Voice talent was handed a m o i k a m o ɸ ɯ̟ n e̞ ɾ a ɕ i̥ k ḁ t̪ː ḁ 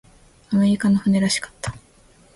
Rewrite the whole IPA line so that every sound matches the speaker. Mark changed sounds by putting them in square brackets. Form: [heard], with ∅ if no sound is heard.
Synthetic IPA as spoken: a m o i k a [n] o ɸ ɯ̟ n e̞ ɾ a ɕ i̥ k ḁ t̪ː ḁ